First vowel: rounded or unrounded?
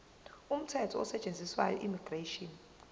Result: rounded